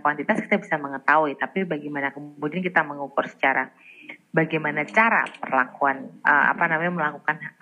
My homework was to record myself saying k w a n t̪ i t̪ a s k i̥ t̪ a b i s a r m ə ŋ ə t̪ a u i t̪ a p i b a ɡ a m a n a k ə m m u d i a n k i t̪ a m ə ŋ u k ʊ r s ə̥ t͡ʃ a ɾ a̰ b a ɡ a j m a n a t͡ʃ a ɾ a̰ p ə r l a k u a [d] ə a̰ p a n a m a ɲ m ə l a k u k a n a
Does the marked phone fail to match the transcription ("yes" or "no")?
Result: yes